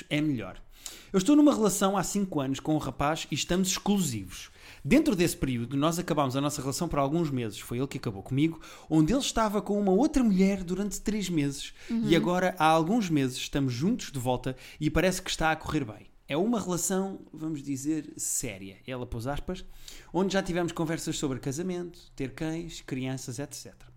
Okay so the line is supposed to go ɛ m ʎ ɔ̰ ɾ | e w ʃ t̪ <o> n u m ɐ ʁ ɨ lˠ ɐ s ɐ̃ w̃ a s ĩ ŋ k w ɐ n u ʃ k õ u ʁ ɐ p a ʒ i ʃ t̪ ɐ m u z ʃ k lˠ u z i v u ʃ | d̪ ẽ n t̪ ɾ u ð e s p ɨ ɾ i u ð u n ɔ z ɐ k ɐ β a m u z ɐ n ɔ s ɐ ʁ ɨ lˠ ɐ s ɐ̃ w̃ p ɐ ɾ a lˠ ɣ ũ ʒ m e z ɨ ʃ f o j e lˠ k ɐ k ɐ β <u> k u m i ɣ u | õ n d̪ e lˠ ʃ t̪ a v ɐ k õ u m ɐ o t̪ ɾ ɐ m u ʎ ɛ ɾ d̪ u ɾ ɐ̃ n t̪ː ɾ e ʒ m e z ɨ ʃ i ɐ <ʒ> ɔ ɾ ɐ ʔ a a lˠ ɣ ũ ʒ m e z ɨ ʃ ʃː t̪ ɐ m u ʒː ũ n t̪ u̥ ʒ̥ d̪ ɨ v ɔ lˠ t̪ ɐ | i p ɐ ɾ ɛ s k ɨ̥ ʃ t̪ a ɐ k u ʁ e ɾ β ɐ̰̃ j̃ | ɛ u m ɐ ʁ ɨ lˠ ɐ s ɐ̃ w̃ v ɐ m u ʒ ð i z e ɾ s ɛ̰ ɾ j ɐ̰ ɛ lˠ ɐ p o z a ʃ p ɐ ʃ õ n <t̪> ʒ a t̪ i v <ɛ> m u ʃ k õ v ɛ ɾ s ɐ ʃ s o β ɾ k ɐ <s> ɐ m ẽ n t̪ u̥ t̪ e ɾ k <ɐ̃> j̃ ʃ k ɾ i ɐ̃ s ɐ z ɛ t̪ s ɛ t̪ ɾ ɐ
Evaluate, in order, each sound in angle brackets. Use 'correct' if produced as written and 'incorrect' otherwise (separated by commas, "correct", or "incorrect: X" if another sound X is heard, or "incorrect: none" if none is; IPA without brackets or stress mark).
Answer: correct, incorrect: o, incorrect: ɣ, incorrect: d̪, correct, incorrect: z, correct